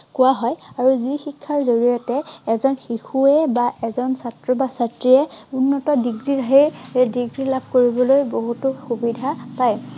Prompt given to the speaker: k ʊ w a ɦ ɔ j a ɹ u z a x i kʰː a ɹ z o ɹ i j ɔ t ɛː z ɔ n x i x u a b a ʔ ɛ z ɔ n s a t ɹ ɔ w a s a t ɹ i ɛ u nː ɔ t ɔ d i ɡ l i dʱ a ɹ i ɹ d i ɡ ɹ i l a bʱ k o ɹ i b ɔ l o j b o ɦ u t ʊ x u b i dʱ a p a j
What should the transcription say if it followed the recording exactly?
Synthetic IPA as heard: k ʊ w a ɦ ɔ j a ɹ u z i x i kʰː a ɹ z o ɹ i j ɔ t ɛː z ɔ n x i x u ɛ b a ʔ ɛ z ɔ n s a t ɹ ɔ b a s a t ɹ i ɛ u nː ɔ t ɔ d i ɡ ɹ i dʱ a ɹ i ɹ d i ɡ ɹ i l a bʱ k o ɹ i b ɔ l o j b o ɦ u t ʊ x u b i dʱ a p a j